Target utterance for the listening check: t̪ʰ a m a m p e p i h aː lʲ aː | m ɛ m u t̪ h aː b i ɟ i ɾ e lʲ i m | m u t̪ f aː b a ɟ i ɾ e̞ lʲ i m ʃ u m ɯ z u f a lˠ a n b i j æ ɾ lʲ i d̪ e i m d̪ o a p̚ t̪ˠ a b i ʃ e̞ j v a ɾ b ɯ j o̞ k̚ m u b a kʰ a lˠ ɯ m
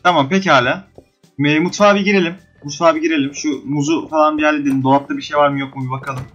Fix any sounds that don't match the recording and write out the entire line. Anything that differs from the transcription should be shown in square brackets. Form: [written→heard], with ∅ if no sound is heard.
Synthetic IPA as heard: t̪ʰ a m a m p e [p→c] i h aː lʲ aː | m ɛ m u t̪ [h→f] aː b i ɟ i ɾ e lʲ i m | m u t̪ f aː b [a→i] ɟ i ɾ e̞ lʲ i m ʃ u m [ɯ→u] z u f a lˠ a n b i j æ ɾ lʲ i d̪ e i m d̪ o a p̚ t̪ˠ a b i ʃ e̞ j v a ɾ [b→m] ɯ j o̞ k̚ m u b a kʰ a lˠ ɯ m